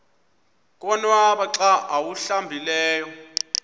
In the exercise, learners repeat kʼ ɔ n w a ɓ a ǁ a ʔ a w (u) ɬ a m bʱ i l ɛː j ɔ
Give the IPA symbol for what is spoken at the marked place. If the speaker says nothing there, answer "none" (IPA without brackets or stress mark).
u